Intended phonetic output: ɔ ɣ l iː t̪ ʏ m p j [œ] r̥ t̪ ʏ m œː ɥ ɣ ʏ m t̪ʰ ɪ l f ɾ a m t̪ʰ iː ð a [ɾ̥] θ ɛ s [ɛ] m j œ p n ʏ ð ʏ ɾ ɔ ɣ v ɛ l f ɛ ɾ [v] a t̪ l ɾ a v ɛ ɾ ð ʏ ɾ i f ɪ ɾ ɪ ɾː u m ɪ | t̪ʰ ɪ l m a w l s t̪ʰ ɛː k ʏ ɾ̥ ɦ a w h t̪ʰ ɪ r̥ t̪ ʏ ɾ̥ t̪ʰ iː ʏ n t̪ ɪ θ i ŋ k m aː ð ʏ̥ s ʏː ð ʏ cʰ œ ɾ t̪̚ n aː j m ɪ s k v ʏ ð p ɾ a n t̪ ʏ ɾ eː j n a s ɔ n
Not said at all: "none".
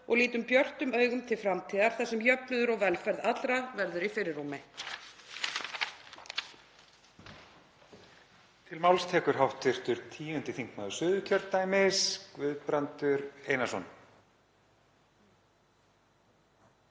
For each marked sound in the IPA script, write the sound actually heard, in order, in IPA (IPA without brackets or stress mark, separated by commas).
œ, ɾ̥, ɛ, ð